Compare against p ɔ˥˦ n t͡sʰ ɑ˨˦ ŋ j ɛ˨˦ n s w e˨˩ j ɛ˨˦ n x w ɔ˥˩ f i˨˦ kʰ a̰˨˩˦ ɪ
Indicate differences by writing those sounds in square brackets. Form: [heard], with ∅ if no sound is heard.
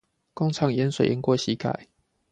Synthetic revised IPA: [k] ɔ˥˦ [ŋ] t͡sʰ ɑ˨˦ ŋ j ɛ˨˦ n s w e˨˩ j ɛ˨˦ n [k] w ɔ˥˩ [ɕ] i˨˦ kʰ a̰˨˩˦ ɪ